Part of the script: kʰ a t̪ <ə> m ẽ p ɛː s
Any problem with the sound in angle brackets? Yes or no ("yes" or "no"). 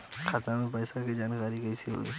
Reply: yes